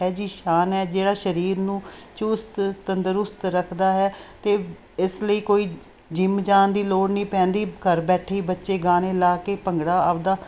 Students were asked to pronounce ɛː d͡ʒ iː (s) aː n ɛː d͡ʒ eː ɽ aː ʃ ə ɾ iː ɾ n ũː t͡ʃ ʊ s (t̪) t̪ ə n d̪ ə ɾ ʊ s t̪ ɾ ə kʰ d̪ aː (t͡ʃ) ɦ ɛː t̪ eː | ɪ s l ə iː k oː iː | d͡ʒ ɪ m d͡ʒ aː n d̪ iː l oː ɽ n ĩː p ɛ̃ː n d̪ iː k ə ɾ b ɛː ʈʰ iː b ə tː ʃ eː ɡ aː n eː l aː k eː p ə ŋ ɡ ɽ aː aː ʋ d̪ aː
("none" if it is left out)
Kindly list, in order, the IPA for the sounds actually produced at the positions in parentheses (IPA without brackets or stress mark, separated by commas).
ʃ, t̪, none